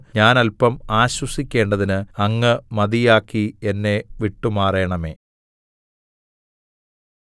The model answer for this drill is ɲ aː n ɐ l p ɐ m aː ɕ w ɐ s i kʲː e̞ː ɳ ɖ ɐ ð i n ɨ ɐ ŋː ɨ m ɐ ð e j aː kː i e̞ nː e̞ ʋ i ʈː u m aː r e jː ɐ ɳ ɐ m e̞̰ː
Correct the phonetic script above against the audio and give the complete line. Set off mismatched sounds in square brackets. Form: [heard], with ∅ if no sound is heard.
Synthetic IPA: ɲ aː n ɐ l p ɐ m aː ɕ w ɐ s i kʲː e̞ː ɳ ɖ ɐ ð i n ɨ ɐ ŋː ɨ m ɐ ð [i] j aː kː i e̞ nː e̞ ʋ i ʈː u m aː r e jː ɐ ɳ ɐ m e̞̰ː